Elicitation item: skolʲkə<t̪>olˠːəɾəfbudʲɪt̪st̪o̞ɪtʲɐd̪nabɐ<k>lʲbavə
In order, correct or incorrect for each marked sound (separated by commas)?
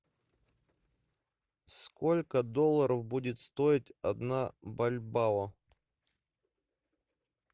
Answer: incorrect, incorrect